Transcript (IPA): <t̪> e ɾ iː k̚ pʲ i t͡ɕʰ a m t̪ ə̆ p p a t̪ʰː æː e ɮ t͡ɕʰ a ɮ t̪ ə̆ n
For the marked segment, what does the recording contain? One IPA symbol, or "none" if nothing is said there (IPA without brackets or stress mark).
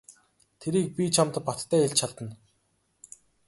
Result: t̪ʰ